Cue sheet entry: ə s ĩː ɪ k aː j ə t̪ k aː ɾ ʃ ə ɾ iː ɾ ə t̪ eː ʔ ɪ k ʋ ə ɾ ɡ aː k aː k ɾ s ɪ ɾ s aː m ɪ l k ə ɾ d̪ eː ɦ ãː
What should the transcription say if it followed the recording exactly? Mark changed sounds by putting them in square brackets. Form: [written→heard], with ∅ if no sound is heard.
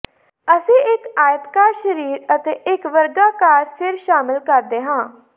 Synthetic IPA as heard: ə s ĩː ɪ k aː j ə t̪ k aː ɾ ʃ ə ɾ iː ɾ ə t̪ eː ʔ ɪ k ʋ ə ɾ ɡ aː k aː [k→∅] ɾ s ɪ ɾ [s→ʃ] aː m ɪ l k ə ɾ d̪ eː ɦ ãː